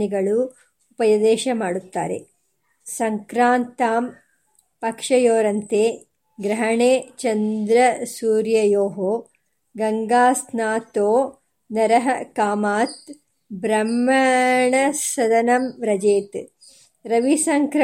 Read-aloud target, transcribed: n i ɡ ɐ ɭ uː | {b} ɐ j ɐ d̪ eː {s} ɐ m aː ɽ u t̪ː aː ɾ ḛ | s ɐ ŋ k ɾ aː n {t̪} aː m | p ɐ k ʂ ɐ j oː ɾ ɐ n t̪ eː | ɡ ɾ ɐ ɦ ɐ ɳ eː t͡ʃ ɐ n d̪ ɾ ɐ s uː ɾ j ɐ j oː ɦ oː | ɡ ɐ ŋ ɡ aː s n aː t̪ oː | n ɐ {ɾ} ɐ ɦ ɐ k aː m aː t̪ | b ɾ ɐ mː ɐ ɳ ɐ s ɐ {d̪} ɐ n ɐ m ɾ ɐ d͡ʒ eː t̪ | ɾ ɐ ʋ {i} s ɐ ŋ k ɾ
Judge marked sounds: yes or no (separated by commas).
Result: no, no, yes, yes, yes, yes